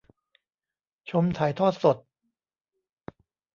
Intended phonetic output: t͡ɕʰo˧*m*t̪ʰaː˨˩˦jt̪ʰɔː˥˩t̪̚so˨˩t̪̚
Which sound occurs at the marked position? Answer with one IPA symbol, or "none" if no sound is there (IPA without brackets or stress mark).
m